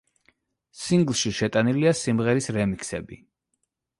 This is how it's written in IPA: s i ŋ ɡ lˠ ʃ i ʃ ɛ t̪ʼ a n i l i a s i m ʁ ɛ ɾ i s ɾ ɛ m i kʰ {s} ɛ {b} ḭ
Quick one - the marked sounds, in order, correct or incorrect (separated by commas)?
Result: correct, correct